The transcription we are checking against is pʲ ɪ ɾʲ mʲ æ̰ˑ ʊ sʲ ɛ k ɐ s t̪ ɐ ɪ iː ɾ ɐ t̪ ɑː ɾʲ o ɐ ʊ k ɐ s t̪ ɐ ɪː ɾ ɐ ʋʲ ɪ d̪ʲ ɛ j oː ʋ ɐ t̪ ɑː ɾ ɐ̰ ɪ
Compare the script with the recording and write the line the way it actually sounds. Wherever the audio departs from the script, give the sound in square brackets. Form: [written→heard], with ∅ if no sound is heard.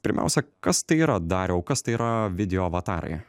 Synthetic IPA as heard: pʲ ɪ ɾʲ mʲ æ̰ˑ ʊ sʲ ɛ k ɐ s t̪ ɐ ɪ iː ɾ ɐ [t̪→d̪] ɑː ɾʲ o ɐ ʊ k ɐ s t̪ ɐ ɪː ɾ ɐ ʋʲ ɪ d̪ʲ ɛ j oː ʋ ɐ t̪ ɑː ɾ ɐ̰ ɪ